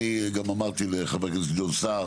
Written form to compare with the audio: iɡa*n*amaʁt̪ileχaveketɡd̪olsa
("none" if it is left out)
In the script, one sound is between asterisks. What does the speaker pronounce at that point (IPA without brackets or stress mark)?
m